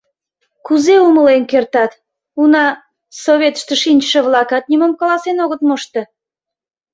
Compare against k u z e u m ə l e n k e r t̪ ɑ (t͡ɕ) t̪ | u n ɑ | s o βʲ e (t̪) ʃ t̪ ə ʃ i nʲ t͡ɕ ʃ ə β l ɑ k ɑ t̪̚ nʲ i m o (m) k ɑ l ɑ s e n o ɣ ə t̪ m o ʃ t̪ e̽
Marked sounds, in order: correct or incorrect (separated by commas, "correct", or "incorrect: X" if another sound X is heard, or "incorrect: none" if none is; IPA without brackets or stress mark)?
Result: incorrect: none, correct, correct